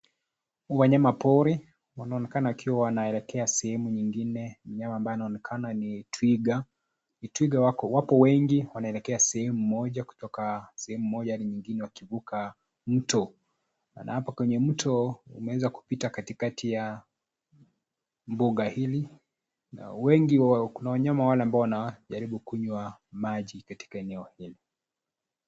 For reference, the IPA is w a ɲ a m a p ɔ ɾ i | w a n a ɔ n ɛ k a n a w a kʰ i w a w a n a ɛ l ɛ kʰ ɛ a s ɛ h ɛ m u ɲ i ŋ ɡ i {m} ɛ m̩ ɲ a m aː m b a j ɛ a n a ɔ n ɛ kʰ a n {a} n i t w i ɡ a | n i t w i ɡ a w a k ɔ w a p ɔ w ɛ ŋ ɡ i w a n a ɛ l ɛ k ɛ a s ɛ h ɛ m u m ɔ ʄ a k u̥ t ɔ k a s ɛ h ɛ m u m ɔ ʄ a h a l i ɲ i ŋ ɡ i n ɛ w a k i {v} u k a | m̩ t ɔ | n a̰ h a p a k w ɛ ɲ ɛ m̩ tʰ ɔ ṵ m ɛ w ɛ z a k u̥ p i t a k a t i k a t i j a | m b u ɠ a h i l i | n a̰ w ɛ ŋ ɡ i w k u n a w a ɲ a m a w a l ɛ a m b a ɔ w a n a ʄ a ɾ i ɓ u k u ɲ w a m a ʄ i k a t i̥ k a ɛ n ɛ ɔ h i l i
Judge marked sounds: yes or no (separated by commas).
no, yes, yes